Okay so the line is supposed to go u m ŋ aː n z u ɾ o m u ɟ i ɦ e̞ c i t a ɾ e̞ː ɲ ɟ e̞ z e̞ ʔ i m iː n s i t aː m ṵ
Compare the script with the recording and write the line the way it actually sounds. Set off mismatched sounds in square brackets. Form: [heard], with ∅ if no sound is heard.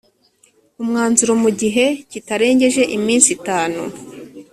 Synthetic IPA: u m ŋ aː n z u ɾ o m u ɟ i ɦ e̞ c i t a ɾ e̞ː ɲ ɟ e̞ [ʒ] e̞ ʔ i m iː n s i t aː [n] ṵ